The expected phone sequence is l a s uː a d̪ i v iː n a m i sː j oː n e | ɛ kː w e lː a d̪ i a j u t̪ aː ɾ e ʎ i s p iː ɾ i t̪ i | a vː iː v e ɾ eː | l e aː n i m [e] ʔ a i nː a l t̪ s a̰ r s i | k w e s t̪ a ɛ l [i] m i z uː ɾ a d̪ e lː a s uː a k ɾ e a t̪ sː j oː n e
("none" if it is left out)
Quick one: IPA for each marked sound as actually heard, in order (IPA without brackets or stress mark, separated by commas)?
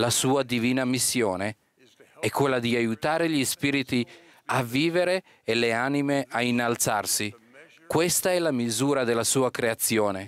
e, a